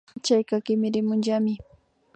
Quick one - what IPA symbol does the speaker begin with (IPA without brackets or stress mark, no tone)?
t͡ʃ